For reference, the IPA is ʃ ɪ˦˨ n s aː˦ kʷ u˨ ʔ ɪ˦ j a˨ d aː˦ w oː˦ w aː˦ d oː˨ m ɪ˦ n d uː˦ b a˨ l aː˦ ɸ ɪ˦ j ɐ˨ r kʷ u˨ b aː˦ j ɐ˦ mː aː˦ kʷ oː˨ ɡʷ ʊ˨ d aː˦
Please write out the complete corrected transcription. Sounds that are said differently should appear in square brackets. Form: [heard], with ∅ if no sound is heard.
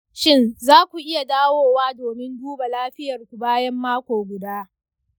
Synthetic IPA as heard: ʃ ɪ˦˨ n [z] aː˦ kʷ u˨ ʔ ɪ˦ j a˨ d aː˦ w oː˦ w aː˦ d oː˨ m ɪ˦ n d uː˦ b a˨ l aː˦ ɸ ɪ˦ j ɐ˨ r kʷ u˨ b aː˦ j ɐ˦ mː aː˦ kʷ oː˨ ɡʷ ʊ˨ d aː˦